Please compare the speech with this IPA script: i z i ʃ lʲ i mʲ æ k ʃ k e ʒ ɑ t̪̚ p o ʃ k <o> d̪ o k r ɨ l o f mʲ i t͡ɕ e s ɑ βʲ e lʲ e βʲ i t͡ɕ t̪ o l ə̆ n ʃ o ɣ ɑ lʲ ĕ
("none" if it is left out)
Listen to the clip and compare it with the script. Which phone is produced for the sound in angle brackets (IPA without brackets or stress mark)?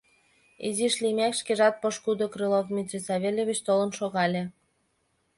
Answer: u